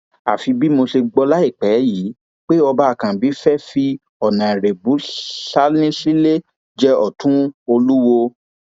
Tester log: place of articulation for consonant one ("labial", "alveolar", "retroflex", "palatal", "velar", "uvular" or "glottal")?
labial